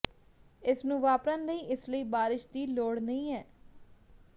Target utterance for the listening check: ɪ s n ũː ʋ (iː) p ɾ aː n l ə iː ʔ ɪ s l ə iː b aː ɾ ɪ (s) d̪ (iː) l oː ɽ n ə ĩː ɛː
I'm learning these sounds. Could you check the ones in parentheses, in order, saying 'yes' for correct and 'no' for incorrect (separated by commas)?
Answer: no, no, yes